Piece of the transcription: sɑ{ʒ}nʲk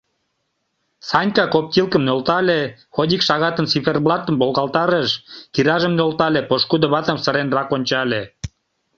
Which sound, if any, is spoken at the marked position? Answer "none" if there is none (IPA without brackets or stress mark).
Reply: none